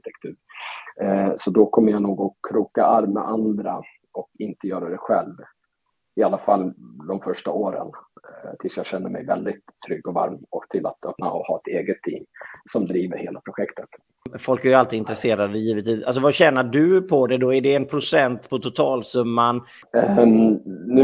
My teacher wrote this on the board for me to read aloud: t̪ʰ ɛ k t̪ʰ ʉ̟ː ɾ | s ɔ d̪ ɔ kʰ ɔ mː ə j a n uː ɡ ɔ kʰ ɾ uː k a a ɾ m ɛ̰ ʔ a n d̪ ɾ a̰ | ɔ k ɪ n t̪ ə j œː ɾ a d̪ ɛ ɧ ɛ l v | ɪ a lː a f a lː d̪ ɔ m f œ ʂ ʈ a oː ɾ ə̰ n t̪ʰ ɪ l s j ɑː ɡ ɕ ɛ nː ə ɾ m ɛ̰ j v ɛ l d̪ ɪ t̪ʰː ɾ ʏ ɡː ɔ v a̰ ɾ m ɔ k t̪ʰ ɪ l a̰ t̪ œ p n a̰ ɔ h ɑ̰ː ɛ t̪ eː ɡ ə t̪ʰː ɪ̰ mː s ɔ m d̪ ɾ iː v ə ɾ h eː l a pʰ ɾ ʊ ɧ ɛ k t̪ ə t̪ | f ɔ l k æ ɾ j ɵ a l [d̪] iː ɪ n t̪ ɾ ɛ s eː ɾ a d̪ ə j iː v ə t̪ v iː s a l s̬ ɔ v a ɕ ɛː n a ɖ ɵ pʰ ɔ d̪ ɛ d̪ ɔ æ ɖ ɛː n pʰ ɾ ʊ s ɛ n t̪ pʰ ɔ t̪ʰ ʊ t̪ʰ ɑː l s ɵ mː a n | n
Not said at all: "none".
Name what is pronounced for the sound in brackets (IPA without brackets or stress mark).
t̪